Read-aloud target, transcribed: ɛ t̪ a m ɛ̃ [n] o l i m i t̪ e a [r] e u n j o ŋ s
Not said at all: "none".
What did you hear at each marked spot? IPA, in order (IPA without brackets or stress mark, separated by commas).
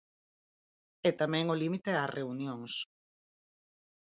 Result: ŋ, r